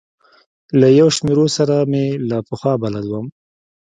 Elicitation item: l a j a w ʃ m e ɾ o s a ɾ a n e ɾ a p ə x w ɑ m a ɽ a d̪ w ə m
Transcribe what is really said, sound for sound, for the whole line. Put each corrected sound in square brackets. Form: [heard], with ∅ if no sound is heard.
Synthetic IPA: l a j a w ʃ m e ɾ o s a ɾ a [m] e [l] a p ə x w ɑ [b] a [l] a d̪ w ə m